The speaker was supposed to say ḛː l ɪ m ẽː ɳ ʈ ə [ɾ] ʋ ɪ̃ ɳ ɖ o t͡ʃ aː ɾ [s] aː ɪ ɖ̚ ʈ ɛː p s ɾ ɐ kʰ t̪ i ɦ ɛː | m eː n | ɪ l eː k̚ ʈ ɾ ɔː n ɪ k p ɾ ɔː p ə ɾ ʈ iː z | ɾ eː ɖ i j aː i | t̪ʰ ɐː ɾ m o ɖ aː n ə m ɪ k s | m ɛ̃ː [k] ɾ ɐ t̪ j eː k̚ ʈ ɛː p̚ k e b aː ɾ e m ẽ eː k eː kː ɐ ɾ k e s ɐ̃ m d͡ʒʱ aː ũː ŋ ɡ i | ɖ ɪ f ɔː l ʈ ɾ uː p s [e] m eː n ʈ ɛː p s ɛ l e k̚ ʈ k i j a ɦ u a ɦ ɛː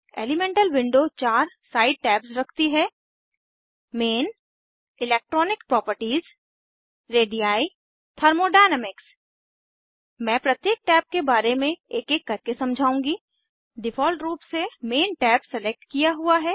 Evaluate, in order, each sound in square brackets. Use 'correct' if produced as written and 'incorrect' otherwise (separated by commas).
incorrect, correct, incorrect, correct